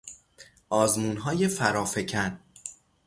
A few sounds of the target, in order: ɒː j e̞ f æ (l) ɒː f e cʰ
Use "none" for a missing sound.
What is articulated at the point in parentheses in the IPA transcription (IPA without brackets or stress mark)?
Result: ɾ